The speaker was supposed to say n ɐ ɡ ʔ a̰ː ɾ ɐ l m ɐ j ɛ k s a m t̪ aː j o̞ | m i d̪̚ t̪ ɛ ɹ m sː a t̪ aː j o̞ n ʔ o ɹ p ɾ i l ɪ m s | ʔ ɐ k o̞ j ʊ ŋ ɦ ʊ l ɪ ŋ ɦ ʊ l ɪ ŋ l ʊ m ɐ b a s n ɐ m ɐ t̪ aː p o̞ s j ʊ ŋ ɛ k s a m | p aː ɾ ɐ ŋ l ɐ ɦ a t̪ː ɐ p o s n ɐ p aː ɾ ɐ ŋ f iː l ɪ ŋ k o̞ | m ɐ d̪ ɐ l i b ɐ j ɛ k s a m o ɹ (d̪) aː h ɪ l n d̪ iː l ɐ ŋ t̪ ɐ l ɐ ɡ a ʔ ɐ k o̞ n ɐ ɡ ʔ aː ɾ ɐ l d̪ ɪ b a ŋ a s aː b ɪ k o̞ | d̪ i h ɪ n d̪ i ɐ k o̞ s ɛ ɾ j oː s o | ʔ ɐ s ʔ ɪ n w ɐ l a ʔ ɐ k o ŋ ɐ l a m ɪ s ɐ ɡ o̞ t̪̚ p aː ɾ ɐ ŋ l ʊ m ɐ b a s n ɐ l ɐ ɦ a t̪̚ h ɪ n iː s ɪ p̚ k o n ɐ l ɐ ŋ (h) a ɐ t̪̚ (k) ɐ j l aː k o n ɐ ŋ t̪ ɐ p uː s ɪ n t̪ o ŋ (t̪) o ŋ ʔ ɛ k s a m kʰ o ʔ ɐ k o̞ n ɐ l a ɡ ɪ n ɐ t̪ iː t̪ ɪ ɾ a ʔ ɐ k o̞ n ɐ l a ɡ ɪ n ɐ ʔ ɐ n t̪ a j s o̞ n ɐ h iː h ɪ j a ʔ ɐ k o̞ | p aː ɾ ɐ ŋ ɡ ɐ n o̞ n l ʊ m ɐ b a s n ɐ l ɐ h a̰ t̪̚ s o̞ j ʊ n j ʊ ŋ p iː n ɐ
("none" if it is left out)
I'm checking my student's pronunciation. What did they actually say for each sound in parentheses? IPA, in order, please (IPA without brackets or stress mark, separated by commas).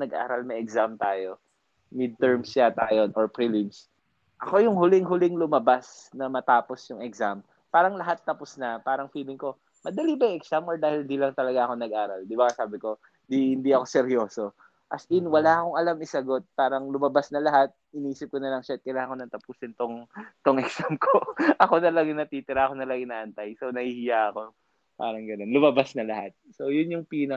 d̪, ʃ, k, t̪